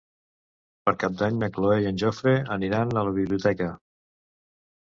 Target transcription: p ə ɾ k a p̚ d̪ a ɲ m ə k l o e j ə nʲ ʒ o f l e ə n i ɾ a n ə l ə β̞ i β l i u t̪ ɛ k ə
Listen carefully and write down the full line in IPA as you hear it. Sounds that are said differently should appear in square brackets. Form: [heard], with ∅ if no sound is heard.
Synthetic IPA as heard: p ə ɾ k a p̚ d̪ a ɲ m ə k l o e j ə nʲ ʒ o f [ɾ] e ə n i ɾ a n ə l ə β̞ i β l i u t̪ ɛ k ə